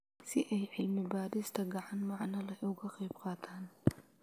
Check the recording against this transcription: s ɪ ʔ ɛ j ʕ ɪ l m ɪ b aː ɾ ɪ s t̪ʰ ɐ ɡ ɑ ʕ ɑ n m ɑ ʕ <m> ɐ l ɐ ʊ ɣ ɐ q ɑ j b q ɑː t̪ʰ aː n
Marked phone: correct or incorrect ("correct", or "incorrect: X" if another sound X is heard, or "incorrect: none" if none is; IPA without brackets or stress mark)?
incorrect: n